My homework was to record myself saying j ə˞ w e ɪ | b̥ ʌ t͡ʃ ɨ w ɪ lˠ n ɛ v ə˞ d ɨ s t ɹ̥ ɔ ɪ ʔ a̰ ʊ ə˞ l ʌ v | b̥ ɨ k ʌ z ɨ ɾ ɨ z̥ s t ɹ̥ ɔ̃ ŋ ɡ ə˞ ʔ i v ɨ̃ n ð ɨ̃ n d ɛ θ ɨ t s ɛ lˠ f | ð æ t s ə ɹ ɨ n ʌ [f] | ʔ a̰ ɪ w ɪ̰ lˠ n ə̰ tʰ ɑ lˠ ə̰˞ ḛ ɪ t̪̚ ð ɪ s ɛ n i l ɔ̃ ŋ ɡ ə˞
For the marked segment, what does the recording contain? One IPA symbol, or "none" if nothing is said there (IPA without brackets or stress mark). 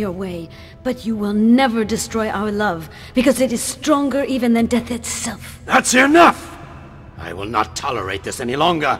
f